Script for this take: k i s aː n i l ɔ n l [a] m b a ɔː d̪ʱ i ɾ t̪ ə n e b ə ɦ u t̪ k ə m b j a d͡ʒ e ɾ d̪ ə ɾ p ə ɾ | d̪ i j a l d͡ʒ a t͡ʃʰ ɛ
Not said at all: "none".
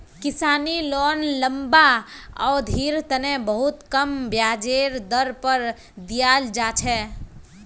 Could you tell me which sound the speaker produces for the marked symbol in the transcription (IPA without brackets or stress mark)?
ə